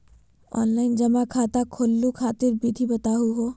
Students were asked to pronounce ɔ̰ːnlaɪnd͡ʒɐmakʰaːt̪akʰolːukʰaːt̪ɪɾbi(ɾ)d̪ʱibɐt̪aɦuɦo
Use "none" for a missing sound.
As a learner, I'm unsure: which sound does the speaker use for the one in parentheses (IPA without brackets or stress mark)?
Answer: none